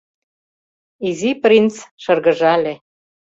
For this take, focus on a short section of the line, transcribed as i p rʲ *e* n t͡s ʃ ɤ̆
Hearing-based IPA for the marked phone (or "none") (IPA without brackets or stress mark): i